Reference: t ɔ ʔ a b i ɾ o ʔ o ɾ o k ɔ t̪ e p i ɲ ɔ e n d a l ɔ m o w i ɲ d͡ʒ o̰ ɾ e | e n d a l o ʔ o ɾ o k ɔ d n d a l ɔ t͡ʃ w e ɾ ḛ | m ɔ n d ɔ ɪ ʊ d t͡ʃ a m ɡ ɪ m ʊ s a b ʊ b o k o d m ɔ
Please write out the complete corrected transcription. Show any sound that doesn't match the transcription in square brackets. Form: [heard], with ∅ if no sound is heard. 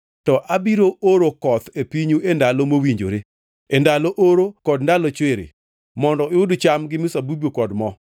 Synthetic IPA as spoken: t ɔ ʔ a b i ɾ o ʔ o ɾ o k ɔ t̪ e p i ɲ [u] e n d a l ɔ m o w i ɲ d͡ʒ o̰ ɾ e | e n d a l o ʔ o ɾ o k ɔ d n d a l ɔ t͡ʃ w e ɾ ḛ | m ɔ n d ɔ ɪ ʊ d t͡ʃ a m ɡ ɪ m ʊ s a b [u] b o k [ɔ] d m ɔ